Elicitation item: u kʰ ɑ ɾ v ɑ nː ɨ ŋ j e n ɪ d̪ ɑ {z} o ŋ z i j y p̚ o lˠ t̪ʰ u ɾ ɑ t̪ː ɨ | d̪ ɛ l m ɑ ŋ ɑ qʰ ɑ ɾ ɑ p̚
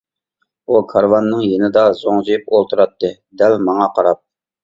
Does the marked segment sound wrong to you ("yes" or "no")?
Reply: no